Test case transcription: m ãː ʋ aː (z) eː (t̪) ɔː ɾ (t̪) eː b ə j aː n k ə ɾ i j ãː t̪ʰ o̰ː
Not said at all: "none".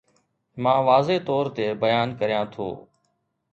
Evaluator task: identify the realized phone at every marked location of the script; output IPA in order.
z, t̪, t̪

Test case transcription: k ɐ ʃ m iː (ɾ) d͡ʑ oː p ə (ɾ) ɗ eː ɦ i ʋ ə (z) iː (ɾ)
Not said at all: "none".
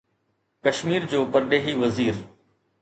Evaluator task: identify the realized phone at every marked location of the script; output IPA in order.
ɾ, ɾ, z, ɾ

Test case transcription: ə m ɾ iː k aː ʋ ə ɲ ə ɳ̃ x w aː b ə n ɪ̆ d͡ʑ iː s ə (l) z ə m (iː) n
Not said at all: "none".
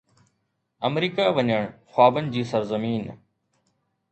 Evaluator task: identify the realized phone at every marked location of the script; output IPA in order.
ɾ, iː

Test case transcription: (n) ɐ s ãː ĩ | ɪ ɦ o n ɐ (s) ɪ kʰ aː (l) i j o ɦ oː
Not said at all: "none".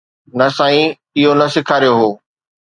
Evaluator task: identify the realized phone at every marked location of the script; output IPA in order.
n, s, ɾ

